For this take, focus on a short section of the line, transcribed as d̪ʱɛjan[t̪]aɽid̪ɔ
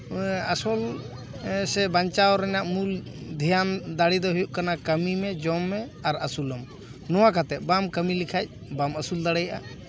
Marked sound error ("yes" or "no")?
yes